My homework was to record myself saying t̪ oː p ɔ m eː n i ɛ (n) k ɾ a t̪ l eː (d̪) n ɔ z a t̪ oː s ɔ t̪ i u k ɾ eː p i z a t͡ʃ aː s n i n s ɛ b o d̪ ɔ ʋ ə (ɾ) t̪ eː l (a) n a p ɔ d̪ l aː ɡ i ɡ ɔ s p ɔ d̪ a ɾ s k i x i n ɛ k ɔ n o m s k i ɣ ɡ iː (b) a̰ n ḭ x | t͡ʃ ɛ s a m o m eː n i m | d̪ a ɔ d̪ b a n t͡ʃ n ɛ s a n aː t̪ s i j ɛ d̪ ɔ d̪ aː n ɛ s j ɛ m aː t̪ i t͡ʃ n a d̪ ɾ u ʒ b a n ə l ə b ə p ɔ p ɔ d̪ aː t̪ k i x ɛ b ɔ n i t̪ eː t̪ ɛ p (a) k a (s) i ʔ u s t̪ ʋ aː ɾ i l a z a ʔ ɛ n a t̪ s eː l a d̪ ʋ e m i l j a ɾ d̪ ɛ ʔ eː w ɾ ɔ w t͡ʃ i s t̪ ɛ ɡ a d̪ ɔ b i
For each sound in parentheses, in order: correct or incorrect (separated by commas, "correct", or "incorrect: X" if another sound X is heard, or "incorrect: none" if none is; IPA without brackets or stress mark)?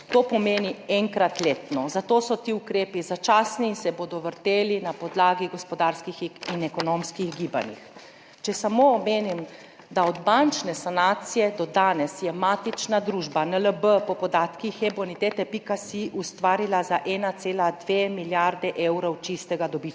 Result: incorrect: ŋ, incorrect: t̪, correct, incorrect: i, correct, incorrect: i, correct